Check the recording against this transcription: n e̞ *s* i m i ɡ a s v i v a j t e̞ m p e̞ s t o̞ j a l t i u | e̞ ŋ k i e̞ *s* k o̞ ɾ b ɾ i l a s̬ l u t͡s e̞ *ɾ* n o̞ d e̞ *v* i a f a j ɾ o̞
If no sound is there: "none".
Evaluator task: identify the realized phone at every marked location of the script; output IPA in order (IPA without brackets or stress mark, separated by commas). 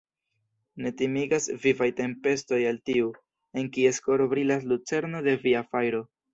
t, s, ɾ, v